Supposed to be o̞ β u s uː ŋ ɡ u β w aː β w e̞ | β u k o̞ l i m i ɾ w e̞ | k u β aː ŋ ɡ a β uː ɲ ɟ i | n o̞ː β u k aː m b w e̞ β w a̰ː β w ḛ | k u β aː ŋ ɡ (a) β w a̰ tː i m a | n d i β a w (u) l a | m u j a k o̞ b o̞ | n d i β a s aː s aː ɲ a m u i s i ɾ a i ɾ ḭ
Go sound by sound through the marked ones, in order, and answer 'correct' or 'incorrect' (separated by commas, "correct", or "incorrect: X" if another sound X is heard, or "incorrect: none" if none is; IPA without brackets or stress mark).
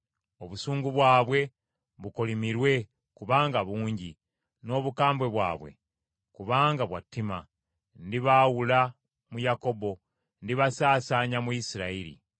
correct, correct